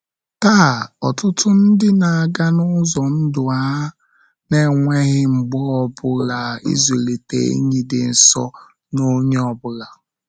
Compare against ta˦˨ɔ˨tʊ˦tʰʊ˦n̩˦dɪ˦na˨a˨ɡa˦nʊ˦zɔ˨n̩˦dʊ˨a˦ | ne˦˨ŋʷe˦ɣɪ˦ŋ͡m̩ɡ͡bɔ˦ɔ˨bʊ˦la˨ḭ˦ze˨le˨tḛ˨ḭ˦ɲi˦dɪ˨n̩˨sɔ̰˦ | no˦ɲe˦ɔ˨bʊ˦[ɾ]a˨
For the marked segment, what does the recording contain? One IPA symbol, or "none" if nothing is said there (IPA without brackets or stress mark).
l